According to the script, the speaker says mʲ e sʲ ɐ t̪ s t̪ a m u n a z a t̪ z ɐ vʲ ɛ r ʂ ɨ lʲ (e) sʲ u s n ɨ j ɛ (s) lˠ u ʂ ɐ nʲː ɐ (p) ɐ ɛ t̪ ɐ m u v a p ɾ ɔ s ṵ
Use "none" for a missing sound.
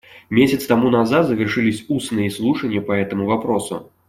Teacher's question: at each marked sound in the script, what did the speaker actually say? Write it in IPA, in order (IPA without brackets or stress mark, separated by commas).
i, s, p